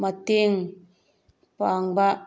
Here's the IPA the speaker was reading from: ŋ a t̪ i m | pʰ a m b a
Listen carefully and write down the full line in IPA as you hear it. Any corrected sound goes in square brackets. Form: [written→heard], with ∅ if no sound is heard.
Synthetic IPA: [ŋ→m] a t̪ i [m→ŋ] | [pʰ→p] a [m→ŋ] b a